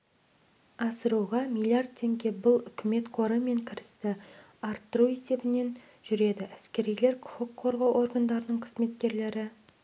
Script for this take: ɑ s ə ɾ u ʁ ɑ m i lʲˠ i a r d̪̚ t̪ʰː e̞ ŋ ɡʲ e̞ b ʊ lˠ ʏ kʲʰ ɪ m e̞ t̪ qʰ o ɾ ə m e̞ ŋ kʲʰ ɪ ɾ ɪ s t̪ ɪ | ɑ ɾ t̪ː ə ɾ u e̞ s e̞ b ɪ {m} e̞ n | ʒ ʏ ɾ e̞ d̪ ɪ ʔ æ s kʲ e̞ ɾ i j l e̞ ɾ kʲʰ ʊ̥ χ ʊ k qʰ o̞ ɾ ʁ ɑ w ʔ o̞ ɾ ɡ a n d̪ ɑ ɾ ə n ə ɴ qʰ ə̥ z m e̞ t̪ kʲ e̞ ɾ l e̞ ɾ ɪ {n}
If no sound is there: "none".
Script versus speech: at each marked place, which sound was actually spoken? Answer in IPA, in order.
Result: n, none

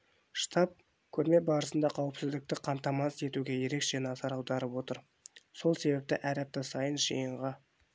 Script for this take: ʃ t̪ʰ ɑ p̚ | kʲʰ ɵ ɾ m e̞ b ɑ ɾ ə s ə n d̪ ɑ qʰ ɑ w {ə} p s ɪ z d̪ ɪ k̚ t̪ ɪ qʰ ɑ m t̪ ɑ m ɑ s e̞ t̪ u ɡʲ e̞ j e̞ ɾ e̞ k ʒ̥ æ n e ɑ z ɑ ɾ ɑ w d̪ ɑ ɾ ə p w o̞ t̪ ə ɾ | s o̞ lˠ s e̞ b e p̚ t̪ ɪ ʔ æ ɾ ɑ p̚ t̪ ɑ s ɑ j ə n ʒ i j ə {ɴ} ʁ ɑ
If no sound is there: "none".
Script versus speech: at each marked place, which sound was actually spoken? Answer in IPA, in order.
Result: ə, ɴ

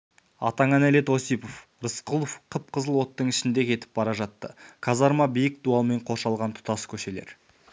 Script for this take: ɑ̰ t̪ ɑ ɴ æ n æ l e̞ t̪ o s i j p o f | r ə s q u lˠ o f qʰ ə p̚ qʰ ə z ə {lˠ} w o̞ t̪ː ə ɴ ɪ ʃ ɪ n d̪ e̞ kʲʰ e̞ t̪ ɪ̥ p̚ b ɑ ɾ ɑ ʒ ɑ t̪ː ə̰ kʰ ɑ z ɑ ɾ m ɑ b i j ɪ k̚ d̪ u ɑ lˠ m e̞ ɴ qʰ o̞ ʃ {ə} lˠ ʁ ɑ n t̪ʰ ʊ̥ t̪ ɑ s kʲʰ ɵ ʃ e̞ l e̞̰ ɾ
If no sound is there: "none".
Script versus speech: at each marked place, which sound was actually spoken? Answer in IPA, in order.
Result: lˠ, ɑ

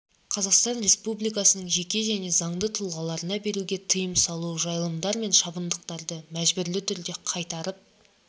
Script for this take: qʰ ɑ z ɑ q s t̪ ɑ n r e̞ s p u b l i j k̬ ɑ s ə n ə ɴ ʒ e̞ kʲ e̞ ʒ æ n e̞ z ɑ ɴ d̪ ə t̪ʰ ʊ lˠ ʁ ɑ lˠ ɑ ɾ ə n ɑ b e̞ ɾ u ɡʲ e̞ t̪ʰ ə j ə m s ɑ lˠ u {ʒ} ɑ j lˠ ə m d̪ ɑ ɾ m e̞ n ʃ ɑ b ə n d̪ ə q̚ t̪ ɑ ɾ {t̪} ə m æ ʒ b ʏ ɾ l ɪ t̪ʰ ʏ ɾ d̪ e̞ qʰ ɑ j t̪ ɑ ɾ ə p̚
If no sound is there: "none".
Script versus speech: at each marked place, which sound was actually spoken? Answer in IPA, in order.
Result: ʒ, d̪

